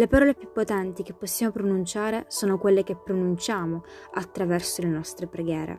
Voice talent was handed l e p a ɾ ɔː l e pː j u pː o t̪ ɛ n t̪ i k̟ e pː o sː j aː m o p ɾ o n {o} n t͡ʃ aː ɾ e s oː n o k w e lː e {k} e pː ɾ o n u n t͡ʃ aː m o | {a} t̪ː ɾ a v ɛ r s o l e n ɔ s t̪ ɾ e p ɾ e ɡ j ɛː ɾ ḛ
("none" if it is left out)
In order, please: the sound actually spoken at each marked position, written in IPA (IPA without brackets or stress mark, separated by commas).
u, k, a